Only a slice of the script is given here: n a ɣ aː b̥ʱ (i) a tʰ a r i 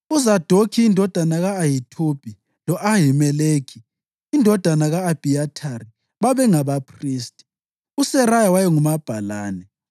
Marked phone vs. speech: correct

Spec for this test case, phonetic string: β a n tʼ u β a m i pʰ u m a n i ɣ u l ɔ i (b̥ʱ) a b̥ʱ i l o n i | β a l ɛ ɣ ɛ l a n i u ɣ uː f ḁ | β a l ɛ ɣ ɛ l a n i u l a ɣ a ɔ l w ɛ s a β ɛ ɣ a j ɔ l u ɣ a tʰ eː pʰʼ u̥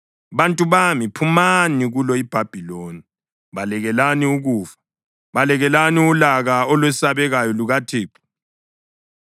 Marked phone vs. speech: correct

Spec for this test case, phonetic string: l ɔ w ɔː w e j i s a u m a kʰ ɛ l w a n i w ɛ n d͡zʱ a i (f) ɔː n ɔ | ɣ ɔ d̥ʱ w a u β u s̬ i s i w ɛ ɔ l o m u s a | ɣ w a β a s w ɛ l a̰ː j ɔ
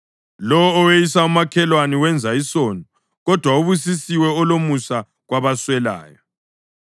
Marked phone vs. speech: incorrect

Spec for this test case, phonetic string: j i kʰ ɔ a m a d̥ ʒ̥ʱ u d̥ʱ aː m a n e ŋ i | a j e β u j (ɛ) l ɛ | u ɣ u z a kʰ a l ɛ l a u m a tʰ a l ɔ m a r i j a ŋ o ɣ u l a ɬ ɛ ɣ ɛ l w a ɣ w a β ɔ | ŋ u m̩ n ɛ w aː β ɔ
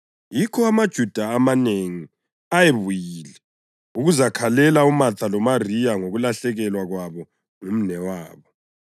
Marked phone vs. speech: incorrect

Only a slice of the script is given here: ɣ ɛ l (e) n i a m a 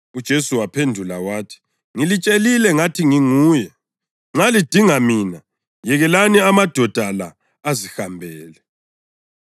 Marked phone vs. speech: incorrect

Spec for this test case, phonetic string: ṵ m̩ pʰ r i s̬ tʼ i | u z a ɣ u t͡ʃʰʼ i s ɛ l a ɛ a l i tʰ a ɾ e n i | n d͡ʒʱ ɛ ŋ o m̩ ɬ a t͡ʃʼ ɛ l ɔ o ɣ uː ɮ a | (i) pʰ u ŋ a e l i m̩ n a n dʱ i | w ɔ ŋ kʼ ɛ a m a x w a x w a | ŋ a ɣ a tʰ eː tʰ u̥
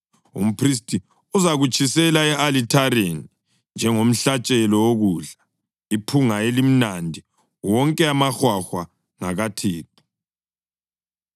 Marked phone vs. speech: correct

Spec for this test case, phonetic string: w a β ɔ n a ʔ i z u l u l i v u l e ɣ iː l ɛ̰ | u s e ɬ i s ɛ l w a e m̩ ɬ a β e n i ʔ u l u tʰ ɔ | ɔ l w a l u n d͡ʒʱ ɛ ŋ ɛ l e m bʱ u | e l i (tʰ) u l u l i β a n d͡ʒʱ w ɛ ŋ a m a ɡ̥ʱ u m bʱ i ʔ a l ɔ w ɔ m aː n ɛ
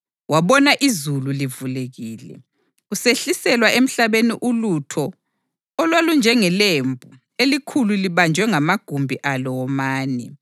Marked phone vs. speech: incorrect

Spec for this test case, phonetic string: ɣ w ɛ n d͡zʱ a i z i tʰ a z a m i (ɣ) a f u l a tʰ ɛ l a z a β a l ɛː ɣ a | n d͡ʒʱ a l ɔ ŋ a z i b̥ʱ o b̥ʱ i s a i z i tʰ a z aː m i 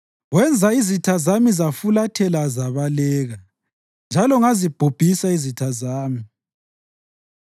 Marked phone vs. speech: incorrect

